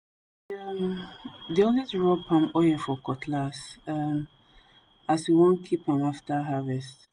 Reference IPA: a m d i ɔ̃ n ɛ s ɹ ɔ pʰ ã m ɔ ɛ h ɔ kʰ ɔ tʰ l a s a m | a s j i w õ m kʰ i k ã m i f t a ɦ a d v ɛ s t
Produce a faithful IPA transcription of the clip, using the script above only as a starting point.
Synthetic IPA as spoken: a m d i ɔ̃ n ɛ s ɹ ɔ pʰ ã m ɔ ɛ f ɔ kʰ ɔ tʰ l a s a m | a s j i w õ n kʰ i p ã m a f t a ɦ a v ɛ s t